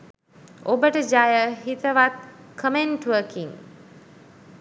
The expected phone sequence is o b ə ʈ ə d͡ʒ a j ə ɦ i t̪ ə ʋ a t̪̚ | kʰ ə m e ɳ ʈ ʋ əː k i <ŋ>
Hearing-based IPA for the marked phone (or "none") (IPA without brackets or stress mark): ŋ